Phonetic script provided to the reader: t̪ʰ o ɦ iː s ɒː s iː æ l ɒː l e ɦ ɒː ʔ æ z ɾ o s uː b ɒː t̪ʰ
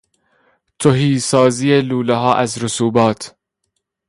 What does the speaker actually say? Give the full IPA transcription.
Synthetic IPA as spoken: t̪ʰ o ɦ iː s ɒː z iː e l uː l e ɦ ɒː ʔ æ z ɾ o s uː b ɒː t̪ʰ